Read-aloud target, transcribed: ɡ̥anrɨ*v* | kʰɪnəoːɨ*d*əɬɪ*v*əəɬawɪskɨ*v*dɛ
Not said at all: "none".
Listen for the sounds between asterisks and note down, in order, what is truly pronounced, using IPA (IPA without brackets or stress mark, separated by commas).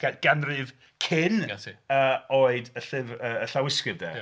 v, d, v, v